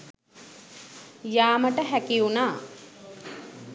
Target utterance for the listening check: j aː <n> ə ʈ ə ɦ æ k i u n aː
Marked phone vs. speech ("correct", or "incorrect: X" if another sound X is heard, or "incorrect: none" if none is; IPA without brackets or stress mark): incorrect: m